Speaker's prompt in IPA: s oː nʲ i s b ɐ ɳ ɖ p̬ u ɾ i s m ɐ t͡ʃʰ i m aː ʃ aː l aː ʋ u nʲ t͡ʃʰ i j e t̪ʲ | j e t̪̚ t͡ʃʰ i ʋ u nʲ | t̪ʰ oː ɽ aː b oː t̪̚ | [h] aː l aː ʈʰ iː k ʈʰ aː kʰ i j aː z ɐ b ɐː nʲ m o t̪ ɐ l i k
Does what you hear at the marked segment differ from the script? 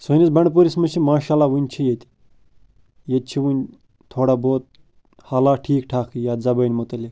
no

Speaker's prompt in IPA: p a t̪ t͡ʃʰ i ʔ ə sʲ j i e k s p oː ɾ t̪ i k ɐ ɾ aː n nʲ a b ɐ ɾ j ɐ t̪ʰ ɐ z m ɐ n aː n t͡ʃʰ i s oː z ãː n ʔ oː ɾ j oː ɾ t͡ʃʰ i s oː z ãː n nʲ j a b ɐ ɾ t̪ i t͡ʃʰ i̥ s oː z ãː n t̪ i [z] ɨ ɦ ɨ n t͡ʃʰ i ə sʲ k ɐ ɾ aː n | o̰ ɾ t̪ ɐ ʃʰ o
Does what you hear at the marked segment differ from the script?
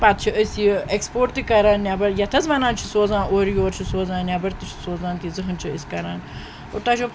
no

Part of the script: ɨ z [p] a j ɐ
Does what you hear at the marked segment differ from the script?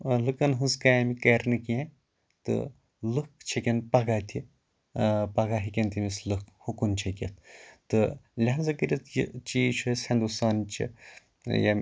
yes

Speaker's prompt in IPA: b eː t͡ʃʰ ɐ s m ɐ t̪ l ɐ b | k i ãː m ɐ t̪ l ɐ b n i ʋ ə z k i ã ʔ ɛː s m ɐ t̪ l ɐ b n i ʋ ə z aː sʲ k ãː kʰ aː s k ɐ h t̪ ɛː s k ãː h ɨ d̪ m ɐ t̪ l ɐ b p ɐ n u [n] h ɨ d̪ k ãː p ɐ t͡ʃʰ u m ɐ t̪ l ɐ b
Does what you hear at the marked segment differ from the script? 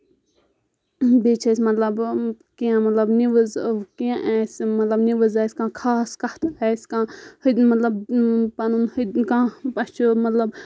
no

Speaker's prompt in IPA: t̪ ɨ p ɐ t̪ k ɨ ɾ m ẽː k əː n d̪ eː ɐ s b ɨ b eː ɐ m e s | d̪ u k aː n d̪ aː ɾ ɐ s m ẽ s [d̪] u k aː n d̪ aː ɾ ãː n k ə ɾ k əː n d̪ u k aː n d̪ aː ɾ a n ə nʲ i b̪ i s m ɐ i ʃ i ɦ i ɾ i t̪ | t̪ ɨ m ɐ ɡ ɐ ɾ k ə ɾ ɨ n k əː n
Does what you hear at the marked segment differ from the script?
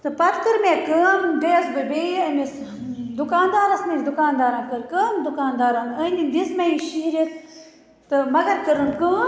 no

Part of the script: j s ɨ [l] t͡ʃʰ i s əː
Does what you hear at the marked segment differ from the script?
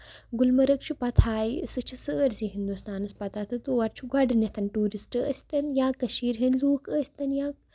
yes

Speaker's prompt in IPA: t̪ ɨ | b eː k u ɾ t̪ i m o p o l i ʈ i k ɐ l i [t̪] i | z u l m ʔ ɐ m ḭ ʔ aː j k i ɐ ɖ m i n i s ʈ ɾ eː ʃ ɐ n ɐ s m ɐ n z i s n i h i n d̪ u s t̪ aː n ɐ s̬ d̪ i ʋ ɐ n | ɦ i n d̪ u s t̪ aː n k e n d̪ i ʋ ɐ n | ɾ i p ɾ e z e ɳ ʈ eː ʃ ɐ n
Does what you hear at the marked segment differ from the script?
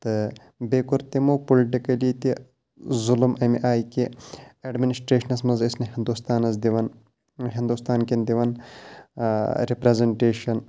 no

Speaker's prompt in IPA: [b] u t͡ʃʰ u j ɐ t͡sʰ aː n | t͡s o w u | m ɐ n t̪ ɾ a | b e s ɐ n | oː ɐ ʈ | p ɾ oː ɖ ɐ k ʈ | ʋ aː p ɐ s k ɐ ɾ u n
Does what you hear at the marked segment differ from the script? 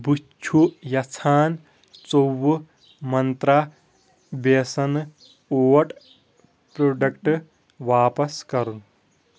no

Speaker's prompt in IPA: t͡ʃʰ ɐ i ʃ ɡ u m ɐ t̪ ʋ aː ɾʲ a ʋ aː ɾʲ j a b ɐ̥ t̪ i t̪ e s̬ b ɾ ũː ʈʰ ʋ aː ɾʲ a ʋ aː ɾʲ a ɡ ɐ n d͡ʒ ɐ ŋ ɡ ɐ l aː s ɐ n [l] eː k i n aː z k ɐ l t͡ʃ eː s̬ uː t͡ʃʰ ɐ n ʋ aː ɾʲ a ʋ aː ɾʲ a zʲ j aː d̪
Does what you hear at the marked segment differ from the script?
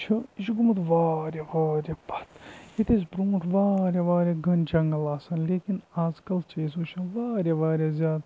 no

